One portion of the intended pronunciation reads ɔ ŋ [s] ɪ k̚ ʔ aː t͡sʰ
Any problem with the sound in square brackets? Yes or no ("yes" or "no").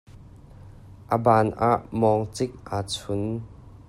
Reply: yes